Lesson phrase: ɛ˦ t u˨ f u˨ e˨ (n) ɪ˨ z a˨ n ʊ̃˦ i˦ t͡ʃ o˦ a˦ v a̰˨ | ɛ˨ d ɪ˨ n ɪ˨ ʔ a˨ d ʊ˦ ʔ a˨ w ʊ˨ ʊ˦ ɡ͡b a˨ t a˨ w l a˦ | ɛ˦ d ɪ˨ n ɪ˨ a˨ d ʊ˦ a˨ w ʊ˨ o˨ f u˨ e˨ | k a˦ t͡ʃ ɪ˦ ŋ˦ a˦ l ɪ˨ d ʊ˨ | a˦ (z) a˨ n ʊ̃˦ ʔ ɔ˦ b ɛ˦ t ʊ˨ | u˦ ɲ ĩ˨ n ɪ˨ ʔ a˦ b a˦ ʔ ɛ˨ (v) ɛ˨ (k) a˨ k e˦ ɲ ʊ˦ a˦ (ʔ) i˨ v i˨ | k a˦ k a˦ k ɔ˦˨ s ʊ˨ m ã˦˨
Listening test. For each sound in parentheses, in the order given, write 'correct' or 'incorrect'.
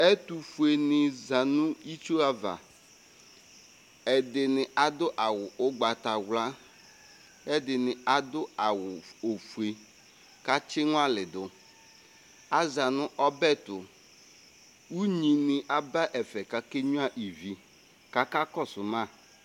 correct, correct, incorrect, correct, correct

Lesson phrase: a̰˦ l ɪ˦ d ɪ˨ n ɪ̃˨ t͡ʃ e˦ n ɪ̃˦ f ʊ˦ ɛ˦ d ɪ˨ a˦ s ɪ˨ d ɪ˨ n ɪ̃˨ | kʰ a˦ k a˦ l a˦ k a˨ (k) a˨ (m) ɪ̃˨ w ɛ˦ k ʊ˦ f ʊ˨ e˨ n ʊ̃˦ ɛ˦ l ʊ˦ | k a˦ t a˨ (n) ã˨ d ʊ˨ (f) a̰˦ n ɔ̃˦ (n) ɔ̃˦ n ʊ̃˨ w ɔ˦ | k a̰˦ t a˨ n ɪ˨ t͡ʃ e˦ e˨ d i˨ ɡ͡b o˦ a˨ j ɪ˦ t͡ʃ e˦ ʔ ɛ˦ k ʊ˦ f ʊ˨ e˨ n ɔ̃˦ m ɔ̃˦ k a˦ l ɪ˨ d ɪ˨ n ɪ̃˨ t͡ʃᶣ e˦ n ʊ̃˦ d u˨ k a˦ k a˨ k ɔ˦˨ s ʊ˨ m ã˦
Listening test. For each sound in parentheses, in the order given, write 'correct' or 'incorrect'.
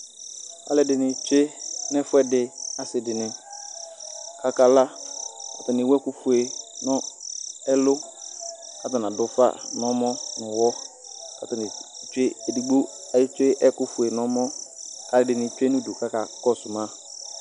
incorrect, incorrect, correct, correct, incorrect

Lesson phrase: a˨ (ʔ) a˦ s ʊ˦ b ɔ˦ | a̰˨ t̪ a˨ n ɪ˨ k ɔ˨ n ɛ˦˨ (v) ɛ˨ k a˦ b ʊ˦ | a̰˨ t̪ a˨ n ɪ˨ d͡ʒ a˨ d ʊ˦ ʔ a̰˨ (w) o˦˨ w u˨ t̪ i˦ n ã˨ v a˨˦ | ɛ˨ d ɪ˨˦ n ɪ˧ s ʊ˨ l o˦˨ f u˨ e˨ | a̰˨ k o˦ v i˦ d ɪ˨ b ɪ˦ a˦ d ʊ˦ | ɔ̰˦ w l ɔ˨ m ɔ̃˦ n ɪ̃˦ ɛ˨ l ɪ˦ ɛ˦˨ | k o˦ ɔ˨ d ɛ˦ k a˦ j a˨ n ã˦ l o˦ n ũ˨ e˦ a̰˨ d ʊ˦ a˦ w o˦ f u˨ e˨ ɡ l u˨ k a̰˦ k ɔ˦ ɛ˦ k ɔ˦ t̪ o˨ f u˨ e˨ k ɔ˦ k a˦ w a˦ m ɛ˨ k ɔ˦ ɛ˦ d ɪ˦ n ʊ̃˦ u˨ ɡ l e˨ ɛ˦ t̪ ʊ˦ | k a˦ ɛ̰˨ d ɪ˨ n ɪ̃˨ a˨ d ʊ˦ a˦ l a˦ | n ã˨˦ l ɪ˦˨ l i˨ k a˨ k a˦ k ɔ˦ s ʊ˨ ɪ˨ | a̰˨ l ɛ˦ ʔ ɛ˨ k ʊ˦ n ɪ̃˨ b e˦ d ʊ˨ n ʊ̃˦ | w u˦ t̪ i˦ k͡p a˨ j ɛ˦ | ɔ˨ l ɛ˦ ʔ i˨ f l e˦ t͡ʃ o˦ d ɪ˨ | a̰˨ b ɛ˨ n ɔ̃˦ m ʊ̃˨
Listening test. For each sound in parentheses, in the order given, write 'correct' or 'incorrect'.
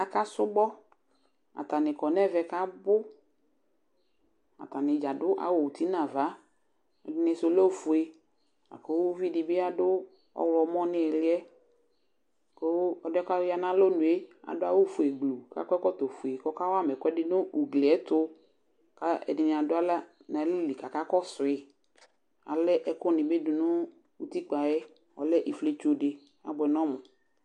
incorrect, correct, correct

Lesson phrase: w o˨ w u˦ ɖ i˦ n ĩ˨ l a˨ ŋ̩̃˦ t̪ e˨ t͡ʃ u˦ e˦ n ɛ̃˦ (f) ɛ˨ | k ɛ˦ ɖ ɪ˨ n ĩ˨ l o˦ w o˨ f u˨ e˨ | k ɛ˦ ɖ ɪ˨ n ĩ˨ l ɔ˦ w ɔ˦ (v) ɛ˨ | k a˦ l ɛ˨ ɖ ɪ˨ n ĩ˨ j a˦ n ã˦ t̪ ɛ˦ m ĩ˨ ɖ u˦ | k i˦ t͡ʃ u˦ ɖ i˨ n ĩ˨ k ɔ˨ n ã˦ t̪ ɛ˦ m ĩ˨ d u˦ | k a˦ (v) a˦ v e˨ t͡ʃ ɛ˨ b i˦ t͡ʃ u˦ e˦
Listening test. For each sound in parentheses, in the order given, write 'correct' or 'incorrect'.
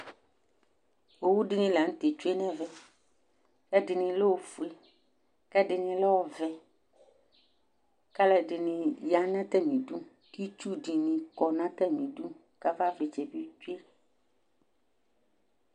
incorrect, correct, correct

